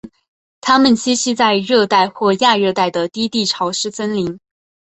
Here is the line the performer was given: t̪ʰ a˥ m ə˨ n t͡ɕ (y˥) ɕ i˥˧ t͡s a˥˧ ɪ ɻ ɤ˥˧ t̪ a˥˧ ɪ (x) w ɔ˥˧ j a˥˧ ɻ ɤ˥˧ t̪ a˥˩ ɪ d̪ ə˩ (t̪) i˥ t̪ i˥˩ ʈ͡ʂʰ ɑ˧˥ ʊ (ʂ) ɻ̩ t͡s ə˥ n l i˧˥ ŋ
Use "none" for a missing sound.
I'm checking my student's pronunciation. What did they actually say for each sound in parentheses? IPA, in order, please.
i˥, x, t̪, ʂ

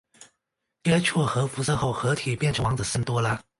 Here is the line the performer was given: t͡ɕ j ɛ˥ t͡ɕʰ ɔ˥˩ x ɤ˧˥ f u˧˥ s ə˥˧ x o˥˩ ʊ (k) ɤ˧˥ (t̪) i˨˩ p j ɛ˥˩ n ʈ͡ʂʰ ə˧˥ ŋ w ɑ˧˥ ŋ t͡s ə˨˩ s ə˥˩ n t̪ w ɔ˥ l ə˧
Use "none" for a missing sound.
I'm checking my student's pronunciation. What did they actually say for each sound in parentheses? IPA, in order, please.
x, t̪ʰ

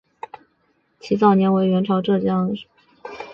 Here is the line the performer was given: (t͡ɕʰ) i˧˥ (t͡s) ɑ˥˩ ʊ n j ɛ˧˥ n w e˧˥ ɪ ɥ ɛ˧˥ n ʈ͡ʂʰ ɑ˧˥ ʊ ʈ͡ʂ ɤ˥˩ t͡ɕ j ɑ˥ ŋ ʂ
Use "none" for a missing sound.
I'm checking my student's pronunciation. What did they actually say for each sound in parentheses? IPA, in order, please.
t͡ɕʰ, t͡s

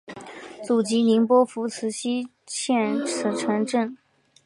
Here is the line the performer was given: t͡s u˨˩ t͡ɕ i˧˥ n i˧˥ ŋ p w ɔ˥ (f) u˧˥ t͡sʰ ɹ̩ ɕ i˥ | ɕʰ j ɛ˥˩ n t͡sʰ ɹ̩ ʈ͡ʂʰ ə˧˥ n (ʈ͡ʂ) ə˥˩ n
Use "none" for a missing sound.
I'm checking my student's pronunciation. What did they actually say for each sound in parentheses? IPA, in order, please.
f, ʈ͡ʂ

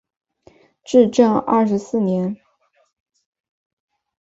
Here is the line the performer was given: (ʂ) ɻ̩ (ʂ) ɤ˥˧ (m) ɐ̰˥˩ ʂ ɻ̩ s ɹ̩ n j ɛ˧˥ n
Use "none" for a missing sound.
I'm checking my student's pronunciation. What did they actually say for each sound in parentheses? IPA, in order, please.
ʈ͡ʂ, ʈ͡ʂ, ŋ

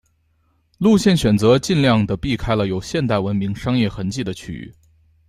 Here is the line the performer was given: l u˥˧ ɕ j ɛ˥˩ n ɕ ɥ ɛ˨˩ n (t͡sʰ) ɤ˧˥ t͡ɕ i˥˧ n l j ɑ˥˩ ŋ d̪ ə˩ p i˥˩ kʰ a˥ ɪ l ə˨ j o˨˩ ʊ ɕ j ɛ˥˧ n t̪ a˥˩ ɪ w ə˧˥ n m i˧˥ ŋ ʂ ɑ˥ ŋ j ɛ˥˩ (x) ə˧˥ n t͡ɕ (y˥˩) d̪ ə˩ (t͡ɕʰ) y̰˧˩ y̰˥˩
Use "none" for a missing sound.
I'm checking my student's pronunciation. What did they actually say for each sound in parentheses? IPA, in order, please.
t͡s, x, i˥˩, t͡ɕʰ

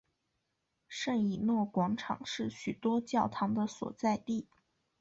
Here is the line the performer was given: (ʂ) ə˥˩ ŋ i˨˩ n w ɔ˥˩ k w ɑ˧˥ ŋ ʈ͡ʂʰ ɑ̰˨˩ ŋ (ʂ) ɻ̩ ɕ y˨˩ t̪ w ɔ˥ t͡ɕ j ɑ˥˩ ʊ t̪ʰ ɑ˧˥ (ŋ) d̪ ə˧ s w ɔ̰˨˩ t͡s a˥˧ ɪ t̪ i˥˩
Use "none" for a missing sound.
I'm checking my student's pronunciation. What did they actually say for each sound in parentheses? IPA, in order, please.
ʂ, ʂ, ŋ

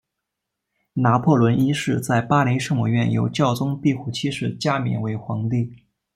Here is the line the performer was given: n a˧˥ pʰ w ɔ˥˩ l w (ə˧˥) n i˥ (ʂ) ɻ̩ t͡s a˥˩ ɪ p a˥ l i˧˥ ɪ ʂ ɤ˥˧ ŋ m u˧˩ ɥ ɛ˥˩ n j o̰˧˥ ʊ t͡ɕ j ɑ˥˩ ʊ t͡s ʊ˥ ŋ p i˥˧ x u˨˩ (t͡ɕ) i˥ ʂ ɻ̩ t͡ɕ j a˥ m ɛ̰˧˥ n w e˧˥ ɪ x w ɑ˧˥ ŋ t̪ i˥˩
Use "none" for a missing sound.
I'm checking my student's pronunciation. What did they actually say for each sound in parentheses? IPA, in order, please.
ə˧˥, ʂ, t͡ɕʰ

